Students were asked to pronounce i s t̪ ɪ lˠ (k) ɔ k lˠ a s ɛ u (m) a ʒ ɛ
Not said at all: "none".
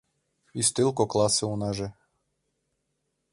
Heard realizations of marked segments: k, n

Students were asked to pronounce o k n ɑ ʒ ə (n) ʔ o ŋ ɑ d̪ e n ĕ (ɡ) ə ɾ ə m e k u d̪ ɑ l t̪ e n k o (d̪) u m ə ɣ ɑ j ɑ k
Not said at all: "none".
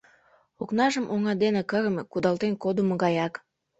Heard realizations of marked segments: m, k, d̪

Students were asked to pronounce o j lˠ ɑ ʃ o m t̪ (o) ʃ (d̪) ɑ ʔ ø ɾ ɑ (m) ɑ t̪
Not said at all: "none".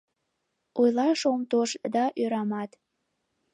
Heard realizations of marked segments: o, d̪, m

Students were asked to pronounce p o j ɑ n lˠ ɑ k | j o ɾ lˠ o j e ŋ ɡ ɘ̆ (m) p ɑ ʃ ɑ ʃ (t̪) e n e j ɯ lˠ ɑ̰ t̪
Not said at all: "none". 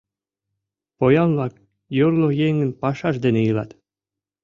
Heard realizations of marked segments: n, d̪

